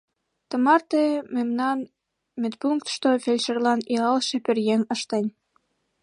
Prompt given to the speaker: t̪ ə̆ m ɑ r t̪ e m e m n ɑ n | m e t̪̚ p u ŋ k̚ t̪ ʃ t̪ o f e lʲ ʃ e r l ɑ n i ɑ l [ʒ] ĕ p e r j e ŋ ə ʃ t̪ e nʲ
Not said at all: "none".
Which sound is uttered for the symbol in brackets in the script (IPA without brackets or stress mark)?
ʃ